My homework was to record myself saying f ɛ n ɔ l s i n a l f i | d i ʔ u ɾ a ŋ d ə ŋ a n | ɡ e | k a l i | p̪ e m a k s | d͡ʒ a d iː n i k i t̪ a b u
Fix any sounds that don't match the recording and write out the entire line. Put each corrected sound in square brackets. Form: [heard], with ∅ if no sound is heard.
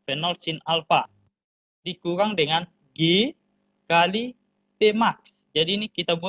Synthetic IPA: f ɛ n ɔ l s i n a l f [a] | d i [k] u ɾ a ŋ d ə ŋ a n | ɡ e | k a l i | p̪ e m a k s | d͡ʒ a d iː n i k i t̪ a b u